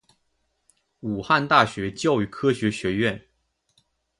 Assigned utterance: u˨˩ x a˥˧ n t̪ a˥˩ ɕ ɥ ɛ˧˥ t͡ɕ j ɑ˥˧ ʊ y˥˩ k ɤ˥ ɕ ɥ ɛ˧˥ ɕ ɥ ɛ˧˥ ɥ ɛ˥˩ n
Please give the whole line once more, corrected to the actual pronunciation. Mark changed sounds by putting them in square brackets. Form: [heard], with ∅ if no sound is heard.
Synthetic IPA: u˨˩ x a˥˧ n t̪ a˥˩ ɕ ɥ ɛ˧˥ t͡ɕ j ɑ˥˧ ʊ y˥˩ [kʰ] ɤ˥ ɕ ɥ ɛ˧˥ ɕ ɥ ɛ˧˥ ɥ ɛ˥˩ n